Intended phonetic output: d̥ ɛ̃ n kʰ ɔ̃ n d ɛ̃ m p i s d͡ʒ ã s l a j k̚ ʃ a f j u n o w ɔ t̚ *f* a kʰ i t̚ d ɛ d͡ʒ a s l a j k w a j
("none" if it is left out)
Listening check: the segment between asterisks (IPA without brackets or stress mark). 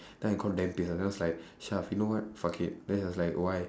f